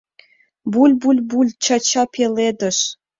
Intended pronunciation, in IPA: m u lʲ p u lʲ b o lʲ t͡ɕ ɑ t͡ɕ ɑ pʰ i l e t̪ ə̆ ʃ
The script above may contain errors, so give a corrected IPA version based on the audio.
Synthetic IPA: b u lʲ b u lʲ b u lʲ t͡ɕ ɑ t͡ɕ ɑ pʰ e l e d̪ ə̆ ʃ